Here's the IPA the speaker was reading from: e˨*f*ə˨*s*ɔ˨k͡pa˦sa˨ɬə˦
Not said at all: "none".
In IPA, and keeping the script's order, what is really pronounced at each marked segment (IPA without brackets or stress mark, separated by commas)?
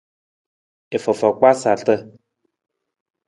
f, f